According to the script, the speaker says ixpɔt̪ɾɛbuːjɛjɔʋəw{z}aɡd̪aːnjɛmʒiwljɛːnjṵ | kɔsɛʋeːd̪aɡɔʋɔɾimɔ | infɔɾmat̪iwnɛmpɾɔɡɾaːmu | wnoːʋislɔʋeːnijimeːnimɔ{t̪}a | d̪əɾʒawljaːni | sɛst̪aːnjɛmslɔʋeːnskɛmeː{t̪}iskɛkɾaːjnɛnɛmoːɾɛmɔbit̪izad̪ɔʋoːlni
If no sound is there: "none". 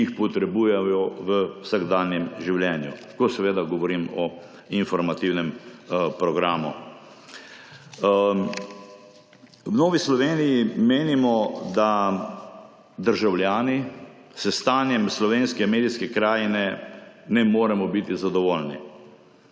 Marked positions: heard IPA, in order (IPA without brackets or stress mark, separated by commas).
s, d̪, d̪